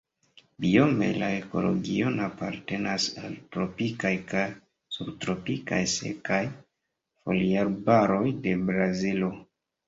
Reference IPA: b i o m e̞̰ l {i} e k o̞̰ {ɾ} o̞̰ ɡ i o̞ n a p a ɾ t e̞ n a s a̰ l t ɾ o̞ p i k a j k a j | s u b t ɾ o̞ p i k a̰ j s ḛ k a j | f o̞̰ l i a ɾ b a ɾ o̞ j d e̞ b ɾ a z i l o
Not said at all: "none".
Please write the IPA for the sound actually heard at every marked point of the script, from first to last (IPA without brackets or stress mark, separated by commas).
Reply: a, l